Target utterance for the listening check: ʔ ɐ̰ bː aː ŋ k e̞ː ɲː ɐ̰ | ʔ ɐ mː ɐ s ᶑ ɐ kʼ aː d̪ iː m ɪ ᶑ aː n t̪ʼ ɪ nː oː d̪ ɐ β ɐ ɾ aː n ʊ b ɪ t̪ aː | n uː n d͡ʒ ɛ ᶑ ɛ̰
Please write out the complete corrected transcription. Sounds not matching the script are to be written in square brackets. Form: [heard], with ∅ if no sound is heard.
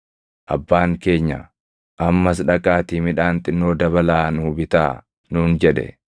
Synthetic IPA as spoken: ʔ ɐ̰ bː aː ŋ k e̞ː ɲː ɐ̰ | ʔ ɐ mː ɐ s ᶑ ɐ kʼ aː [t̪] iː m ɪ ᶑ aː n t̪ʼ ɪ nː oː d̪ ɐ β ɐ [l] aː n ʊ b ɪ t̪ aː | n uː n d͡ʒ ɛ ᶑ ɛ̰

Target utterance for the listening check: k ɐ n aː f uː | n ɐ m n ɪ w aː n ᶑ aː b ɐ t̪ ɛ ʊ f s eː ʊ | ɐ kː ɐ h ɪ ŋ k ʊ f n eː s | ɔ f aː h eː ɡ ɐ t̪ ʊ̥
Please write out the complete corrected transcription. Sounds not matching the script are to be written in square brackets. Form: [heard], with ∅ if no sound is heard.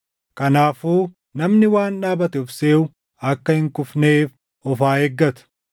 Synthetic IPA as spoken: k ɐ n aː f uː | n ɐ m n ɪ w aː n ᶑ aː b ɐ t̪ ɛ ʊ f s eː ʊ | ɐ kː ɐ h ɪ ŋ k ʊ f n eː [f] | ɔ f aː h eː [ɡː] ɐ t̪ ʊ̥

